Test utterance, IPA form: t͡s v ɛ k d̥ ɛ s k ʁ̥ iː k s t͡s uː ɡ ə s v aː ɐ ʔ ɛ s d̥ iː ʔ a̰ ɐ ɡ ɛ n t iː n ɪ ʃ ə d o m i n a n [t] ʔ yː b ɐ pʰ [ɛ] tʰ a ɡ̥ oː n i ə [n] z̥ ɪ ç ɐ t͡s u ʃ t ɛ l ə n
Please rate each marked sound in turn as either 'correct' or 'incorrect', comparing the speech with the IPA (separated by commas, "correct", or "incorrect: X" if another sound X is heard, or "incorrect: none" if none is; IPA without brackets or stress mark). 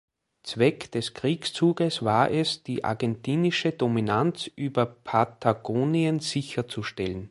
incorrect: t͡s, incorrect: a, correct